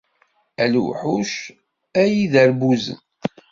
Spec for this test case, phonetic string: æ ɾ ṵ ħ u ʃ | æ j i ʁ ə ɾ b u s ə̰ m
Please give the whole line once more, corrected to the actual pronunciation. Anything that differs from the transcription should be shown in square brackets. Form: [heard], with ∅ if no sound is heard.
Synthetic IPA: æ [l] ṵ ħ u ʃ | æ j i [ð] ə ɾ b u [z] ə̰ [n]